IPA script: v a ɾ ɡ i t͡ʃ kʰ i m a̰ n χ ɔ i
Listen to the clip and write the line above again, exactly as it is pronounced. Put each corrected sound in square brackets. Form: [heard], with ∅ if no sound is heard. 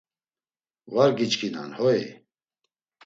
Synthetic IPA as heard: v a ɾ ɡ i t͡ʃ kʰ i [n] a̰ n [h] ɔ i